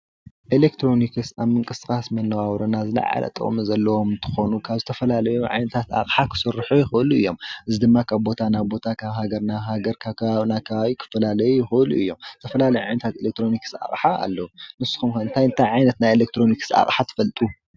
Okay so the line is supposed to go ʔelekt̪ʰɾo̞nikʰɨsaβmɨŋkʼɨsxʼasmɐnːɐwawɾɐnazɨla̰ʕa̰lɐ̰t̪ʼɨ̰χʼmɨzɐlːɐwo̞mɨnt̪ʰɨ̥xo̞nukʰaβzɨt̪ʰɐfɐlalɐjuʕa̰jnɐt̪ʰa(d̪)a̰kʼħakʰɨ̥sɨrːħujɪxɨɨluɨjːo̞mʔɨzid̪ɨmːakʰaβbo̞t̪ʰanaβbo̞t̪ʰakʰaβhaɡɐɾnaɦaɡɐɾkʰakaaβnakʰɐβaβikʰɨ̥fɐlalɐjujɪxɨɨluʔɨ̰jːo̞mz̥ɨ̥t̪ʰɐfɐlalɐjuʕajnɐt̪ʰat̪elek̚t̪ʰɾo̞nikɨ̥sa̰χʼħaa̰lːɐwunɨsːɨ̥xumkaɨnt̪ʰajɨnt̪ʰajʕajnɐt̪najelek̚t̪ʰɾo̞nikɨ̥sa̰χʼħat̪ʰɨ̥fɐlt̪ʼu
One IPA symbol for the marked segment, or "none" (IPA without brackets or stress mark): t̪